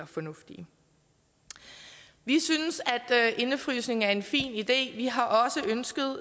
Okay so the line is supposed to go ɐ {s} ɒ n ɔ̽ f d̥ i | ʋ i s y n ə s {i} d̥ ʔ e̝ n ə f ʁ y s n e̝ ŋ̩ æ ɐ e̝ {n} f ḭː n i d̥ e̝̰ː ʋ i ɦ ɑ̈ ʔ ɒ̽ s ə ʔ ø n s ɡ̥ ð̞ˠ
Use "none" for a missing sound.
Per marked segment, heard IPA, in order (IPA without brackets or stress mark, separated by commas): f, æ, n